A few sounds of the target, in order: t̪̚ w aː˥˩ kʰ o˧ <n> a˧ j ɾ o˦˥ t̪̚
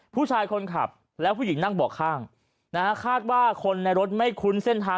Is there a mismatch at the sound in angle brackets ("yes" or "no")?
yes